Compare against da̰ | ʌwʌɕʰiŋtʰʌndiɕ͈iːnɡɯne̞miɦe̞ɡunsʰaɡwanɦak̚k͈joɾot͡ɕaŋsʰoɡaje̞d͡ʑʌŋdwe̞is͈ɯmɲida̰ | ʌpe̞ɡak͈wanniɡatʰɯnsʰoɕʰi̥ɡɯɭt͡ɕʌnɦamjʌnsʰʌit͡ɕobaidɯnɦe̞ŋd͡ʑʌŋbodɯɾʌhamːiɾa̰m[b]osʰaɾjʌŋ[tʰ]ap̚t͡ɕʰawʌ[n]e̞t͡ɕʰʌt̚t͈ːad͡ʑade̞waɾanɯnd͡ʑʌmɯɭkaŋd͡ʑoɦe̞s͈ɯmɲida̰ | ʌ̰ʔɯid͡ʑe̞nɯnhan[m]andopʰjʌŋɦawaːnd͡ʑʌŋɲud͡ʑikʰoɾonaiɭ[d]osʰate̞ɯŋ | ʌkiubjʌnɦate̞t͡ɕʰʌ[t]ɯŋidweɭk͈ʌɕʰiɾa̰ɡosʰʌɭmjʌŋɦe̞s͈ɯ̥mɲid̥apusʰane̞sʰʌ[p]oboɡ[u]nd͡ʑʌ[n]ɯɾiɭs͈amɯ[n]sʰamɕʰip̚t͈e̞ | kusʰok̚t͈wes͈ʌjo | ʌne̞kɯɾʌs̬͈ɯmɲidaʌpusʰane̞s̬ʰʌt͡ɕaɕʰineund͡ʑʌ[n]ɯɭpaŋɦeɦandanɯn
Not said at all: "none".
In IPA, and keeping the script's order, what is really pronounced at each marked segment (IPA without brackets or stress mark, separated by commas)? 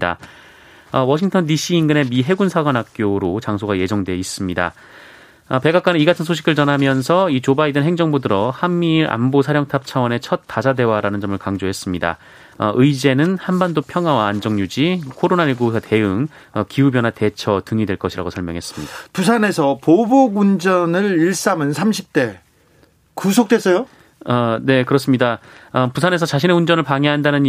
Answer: b, tʰ, n, b, ɡ, t, p, u, n, n, n